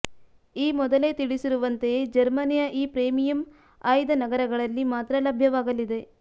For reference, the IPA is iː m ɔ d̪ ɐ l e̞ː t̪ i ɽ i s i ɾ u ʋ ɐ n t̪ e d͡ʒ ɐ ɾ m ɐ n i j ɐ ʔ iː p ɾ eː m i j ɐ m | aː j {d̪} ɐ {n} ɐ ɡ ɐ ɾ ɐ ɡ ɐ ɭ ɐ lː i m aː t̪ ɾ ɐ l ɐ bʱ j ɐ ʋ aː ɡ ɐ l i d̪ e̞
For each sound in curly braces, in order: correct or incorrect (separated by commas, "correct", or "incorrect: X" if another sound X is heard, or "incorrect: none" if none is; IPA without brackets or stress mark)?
correct, correct